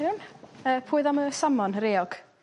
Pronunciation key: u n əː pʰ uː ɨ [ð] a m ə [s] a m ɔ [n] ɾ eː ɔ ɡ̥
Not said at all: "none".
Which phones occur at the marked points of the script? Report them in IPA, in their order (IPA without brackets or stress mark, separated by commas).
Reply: ð, s, n